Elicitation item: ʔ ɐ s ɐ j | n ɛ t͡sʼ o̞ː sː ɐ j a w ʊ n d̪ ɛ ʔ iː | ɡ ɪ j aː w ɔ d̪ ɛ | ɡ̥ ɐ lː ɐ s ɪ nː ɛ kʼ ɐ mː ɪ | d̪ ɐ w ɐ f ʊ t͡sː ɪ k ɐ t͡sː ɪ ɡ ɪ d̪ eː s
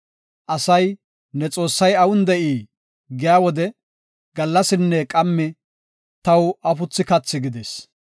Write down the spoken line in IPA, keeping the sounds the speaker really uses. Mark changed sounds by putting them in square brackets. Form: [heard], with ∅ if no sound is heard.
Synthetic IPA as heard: ʔ ɐ s ɐ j | n ɛ t͡sʼ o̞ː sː ɐ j [ɐ] w ʊ n d̪ ɛ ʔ iː | ɡ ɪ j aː w ɔ d̪ ɛ | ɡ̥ ɐ lː ɐ s ɪ nː ɛ kʼ ɐ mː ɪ | [t̪] ɐ w ɐ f ʊ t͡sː ɪ k ɐ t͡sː ɪ ɡ ɪ d̪ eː s